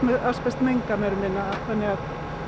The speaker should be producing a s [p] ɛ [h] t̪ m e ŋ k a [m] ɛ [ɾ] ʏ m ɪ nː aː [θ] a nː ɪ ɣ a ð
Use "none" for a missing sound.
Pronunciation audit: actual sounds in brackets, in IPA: p, s, m, ɾ, θ

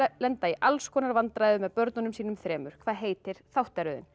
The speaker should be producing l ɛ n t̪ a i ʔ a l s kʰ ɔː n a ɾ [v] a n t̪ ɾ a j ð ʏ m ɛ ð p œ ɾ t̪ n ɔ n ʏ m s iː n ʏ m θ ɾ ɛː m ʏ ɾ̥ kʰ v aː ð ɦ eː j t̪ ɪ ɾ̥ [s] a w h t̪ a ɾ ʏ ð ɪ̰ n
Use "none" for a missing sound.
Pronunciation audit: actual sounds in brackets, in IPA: v, θ

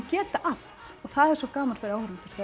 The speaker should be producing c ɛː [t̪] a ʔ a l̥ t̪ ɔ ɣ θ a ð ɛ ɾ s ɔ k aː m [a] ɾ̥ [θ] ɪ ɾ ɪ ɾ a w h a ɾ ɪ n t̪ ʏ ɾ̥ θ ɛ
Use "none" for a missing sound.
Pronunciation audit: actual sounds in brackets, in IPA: t̪, a, f

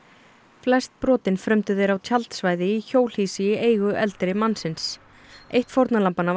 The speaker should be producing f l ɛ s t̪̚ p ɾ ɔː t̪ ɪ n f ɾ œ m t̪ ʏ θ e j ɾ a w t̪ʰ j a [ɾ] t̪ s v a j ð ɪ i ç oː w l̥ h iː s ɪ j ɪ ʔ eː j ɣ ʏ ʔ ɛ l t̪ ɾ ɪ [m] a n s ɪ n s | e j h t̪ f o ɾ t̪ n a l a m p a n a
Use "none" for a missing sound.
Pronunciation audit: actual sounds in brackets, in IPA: l, m

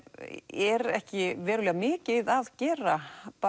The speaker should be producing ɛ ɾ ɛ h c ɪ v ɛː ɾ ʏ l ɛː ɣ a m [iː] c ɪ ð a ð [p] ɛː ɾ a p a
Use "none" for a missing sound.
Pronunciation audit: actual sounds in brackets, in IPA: ɪː, c

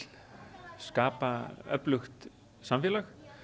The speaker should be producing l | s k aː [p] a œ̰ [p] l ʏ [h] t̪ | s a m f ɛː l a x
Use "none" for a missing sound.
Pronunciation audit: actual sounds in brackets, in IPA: p, p, x

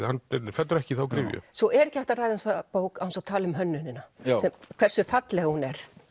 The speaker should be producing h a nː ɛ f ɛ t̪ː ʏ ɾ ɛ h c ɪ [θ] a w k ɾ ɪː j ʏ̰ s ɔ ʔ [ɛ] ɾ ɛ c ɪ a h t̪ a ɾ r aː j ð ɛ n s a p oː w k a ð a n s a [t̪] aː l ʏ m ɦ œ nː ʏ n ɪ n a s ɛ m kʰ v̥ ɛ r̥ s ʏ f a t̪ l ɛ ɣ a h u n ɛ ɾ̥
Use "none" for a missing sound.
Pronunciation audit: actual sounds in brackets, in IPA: θ, ɛ, t̪ʰ

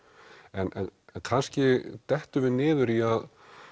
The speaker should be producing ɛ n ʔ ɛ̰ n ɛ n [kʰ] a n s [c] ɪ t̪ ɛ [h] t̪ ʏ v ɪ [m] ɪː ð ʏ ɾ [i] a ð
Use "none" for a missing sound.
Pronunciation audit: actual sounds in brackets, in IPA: kʰ, c, h, n, i

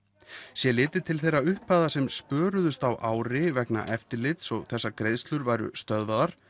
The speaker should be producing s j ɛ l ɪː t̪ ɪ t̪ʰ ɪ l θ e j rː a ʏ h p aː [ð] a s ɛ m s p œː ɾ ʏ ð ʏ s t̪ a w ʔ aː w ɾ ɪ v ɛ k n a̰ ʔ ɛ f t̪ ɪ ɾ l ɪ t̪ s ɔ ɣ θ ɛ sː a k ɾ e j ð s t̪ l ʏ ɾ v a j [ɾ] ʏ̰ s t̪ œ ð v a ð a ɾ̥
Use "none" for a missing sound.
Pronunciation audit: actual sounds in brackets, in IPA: ð, ɾ

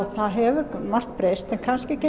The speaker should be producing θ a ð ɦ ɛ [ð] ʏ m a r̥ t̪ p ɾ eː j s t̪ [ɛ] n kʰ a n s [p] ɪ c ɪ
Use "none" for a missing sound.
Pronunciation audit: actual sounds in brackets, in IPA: v, ɛ, c

